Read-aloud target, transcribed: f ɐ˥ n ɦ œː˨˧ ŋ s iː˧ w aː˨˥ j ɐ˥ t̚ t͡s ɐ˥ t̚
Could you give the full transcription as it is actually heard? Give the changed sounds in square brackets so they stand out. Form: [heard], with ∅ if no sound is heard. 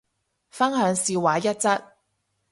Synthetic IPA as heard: f ɐ˥ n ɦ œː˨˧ ŋ s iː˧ w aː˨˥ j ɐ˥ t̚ t͡s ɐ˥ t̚

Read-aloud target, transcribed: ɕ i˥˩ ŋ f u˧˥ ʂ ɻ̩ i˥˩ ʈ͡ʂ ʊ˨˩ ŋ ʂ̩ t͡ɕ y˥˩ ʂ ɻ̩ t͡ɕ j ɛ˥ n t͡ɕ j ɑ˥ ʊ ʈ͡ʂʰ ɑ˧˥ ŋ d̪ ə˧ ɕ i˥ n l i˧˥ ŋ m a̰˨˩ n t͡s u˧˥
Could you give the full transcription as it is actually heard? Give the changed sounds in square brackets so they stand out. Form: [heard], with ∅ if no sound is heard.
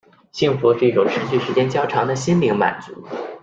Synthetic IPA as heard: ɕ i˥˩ ŋ f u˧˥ ʂ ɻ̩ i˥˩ ʈ͡ʂ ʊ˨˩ ŋ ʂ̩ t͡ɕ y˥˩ ʂ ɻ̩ t͡ɕ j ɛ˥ n t͡ɕ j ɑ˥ ʊ ʈ͡ʂʰ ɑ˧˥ ŋ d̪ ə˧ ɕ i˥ n l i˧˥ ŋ m a̰˨˩ n t͡s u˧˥

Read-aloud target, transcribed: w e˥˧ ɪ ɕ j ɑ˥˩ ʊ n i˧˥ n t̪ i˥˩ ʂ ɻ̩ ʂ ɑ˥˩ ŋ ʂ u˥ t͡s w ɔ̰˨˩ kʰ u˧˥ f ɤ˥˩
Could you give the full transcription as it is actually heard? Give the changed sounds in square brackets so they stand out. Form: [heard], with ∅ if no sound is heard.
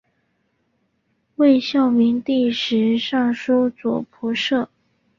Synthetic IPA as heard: w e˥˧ ɪ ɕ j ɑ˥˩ ʊ [m] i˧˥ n t̪ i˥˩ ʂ ɻ̩ ʂ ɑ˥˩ ŋ ʂ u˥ t͡s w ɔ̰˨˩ [pʰ] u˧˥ [ʂ] ɤ˥˩

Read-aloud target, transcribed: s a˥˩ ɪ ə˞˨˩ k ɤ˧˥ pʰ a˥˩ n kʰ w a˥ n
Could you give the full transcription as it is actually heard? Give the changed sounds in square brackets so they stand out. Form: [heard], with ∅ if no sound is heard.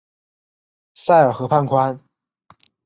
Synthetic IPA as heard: s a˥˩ ɪ ə˞˨˩ [x] ɤ˧˥ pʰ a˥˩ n kʰ w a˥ n

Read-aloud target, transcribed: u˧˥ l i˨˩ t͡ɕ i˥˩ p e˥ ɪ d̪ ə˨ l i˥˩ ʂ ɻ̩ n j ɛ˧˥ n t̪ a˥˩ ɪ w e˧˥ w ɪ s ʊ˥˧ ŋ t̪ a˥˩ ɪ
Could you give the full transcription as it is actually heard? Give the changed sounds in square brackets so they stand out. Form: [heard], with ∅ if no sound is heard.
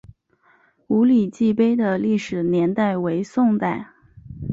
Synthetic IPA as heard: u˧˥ l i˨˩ t͡ɕ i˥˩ p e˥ ɪ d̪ ə˨ l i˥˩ ʂ ɻ̩ n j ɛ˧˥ n t̪ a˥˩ ɪ w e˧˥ [∅] ɪ s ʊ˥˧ ŋ t̪ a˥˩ ɪ

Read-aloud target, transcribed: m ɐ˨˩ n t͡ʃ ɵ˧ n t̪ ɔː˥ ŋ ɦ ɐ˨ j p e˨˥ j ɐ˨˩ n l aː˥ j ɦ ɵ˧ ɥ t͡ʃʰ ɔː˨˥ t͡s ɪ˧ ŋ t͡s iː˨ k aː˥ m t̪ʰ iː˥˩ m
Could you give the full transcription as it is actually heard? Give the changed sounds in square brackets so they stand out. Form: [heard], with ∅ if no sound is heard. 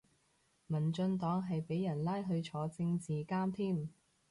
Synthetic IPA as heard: m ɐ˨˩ n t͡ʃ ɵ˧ n t̪ [ɔː˨˥] ŋ ɦ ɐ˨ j p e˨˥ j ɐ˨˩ n l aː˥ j ɦ ɵ˧ ɥ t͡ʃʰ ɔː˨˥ t͡s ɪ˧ ŋ t͡s iː˨ k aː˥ m t̪ʰ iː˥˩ m

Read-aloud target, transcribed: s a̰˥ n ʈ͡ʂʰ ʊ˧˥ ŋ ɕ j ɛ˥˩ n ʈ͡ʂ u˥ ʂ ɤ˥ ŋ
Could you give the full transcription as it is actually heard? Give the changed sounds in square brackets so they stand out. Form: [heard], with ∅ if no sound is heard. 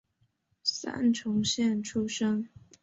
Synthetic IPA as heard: s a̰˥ n ʈ͡ʂʰ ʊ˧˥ ŋ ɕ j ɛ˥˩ n [ʈ͡ʂʰ] u˥ ʂ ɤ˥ ŋ

